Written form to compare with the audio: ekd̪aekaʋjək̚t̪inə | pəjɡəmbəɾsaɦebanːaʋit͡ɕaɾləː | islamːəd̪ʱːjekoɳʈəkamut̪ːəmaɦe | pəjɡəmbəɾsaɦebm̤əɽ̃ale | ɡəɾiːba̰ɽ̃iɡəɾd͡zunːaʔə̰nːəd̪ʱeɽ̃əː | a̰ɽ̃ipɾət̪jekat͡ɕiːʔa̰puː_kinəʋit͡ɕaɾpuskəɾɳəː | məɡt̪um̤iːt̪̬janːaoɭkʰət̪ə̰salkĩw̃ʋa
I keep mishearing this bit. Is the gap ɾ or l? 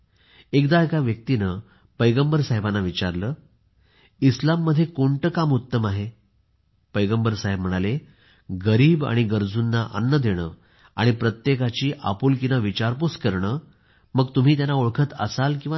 l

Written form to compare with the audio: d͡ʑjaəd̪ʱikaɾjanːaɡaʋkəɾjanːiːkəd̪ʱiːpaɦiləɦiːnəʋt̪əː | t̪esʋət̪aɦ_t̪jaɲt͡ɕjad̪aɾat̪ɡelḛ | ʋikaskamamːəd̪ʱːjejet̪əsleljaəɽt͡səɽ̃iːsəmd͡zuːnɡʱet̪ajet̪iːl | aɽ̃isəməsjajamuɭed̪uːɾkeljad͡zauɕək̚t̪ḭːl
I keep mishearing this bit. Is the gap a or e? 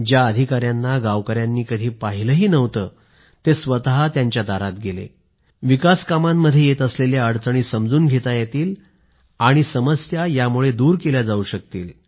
a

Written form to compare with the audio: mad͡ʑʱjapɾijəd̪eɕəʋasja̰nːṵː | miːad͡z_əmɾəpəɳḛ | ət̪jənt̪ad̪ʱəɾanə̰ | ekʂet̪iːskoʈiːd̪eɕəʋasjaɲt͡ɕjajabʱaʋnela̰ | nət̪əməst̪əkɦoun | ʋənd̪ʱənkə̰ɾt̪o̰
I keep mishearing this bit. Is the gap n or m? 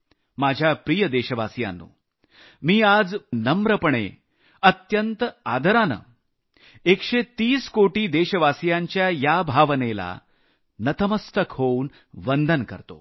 n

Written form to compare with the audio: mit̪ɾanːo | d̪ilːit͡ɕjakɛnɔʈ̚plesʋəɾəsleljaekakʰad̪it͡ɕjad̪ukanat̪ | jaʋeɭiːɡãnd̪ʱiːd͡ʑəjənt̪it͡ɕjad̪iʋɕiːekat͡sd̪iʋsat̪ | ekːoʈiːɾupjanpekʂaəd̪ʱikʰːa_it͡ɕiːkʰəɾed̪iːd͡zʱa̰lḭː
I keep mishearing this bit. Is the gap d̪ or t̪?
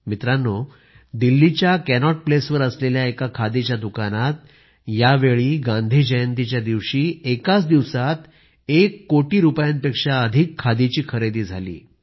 d̪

